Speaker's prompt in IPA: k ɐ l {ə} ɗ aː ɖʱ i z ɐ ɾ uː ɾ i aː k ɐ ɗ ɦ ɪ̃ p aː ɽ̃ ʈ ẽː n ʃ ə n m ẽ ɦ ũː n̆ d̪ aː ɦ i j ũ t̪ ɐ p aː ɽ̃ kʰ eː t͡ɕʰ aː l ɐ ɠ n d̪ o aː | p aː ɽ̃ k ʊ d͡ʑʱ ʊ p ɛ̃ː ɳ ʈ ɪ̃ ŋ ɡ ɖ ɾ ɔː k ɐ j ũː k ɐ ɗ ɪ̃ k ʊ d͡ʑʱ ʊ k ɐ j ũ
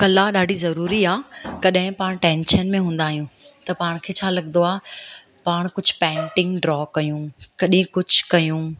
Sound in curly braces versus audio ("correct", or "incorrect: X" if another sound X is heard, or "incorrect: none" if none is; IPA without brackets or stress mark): incorrect: a